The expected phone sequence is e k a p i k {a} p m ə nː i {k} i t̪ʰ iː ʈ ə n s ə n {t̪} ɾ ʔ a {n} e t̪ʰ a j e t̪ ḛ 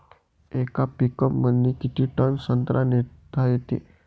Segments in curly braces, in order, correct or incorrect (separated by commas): incorrect, correct, correct, correct